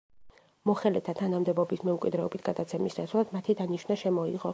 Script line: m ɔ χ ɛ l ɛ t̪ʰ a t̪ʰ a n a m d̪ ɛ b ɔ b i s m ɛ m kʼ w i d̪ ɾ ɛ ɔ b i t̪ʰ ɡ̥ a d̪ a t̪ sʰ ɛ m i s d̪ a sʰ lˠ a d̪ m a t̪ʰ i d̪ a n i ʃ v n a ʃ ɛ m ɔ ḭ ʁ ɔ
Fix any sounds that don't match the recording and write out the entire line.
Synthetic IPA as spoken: m ɔ χ ɛ l ɛ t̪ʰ a t̪ʰ a n a m d̪ ɛ b ɔ b i s m ɛ m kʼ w i d̪ ɾ ɛ ɔ b i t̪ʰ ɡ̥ a d̪ a t̪ sʰ ɛ m i s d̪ a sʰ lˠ a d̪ m a t̪ʰ i d̪ a n i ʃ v n a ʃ ɛ m ɔ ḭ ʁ ɔ